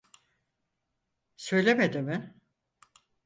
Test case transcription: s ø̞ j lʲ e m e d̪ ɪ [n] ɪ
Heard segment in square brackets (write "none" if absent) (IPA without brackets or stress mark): m